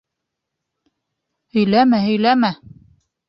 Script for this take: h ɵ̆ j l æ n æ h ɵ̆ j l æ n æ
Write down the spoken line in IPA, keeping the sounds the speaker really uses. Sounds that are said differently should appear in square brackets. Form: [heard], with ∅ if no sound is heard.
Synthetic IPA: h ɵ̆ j l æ [m] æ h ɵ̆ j l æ [m] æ